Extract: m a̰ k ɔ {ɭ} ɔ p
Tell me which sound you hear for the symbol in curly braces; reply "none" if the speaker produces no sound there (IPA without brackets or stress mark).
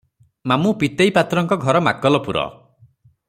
l